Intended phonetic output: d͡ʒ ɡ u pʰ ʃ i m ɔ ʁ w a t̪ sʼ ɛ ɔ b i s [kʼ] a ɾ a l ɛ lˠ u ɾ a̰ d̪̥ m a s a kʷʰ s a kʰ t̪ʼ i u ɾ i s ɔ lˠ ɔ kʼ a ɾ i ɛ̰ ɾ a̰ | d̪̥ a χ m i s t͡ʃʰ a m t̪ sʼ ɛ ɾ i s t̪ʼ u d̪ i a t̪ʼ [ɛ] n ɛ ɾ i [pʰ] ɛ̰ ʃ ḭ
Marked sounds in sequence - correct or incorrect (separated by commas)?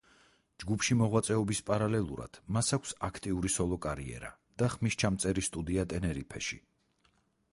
incorrect, correct, correct